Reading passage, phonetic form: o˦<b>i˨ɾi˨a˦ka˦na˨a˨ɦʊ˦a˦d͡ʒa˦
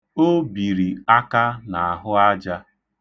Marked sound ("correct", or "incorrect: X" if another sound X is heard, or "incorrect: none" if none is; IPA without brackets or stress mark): correct